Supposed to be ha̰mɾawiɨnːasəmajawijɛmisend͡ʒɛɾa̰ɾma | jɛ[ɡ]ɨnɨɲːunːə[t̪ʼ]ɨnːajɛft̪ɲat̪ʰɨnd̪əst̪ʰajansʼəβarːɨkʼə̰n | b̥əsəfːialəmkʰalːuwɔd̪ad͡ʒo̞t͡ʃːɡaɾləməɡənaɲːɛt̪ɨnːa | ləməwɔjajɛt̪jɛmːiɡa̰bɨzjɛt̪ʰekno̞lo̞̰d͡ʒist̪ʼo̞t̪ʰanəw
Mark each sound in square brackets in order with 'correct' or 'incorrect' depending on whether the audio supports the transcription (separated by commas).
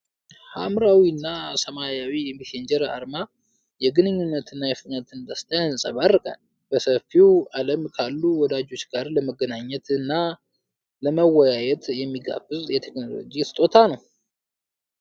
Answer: correct, incorrect